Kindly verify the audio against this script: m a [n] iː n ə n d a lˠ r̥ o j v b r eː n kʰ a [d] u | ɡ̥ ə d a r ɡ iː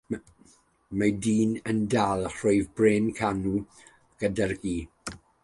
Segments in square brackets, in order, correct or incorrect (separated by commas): incorrect, incorrect